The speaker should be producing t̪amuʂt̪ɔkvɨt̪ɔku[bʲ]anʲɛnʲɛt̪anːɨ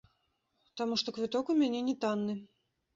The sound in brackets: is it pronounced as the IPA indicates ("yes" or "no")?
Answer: no